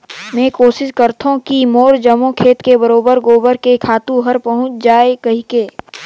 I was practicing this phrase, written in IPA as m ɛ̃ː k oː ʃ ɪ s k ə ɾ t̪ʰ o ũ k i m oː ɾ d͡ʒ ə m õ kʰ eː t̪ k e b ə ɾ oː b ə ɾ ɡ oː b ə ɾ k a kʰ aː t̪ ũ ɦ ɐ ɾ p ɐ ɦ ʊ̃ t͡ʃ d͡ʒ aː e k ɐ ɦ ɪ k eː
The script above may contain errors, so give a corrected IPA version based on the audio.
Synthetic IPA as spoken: m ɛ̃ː k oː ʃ ɪ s k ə ɾ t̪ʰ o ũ k i m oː ɾ d͡ʒ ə m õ kʰ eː t̪ k e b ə ɾ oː b ə ɾ ɡ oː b ə ɾ k e kʰ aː t̪ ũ ɦ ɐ ɾ p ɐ ɦ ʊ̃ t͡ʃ d͡ʒ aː e k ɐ ɦ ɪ k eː